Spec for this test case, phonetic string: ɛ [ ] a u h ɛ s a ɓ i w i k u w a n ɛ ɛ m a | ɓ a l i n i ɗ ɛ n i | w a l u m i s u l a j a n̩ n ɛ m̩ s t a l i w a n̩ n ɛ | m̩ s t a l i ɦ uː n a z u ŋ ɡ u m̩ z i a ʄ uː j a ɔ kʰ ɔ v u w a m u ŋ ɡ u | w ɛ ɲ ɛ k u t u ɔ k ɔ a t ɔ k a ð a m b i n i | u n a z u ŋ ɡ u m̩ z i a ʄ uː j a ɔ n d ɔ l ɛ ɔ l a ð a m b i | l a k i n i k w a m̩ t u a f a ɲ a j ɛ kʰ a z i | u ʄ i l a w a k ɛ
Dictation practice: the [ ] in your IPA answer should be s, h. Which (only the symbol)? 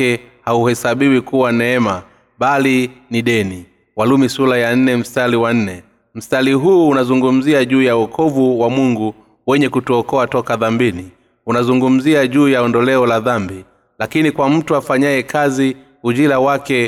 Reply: h